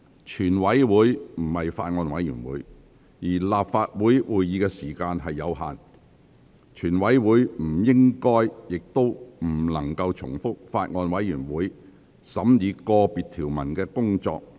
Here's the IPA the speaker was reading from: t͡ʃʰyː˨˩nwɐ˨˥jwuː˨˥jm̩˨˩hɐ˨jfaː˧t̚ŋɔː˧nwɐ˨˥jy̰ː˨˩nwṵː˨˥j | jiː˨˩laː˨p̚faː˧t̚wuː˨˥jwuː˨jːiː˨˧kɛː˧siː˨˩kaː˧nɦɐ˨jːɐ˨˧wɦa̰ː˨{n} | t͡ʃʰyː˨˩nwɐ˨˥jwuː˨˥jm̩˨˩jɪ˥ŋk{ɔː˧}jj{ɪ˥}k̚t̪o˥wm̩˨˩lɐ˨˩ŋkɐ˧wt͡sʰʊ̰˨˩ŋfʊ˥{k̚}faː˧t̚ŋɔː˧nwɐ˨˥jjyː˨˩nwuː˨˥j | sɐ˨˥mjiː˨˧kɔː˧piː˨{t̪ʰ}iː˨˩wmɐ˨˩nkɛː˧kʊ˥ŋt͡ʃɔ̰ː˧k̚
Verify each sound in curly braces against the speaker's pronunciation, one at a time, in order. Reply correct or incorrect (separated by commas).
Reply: correct, incorrect, incorrect, correct, correct